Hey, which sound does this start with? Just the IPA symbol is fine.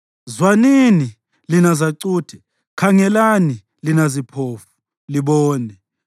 z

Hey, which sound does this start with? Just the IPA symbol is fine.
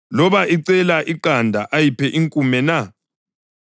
l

